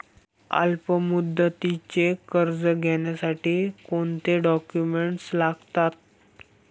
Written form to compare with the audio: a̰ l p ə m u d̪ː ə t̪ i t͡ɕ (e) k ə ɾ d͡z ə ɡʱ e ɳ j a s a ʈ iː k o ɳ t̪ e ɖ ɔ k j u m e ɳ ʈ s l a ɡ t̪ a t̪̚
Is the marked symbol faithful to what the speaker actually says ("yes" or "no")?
yes